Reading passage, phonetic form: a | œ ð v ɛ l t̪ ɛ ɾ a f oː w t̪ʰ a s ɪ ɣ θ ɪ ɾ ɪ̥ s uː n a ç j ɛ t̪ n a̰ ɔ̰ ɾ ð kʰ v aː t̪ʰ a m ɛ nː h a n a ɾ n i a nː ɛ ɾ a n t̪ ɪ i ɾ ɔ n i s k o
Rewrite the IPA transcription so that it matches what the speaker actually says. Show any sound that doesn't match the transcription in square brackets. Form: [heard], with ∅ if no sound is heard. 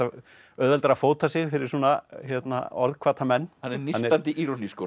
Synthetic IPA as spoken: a | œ ð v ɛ l t̪ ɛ ɾ a f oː w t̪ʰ a s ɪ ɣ [f] ɪ ɾ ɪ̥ s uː n a ç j ɛ t̪ n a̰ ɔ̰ ɾ ð kʰ v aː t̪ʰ a m ɛ nː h a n [ɛ] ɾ n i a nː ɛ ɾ a n t̪ ɪ i ɾ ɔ n i s k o